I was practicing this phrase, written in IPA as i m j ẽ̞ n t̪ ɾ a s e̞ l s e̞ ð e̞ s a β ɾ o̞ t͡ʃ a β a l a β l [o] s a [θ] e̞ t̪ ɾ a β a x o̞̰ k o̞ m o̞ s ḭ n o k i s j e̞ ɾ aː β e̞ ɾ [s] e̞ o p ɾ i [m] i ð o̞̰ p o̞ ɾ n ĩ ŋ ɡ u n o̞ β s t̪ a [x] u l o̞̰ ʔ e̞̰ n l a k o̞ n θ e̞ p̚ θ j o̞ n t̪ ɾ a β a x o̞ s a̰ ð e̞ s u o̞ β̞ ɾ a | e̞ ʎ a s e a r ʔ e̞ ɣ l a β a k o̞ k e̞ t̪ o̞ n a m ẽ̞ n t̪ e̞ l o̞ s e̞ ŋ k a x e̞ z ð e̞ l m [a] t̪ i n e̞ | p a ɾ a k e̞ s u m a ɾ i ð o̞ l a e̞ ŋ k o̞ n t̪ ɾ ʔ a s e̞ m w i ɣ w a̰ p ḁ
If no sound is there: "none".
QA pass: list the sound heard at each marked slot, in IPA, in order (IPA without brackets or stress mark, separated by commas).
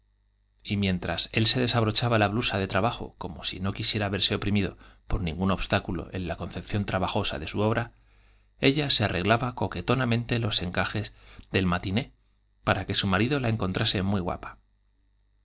u, ð, s, m, k, a